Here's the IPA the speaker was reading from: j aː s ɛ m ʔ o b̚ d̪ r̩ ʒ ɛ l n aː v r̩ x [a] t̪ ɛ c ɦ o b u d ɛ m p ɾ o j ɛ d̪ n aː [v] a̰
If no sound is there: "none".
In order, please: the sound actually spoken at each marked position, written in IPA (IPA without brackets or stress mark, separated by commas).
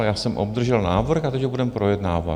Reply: a, v